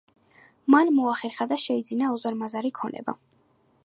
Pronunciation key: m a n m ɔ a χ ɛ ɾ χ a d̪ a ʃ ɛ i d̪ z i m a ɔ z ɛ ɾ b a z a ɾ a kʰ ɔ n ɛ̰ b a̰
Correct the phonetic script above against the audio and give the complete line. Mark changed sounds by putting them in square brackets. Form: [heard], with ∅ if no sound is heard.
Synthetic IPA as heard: m a n m ɔ a χ ɛ ɾ χ a d̪ a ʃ ɛ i d̪ z i [n] a ɔ z [a] ɾ [m] a z a ɾ [i] kʰ ɔ n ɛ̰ b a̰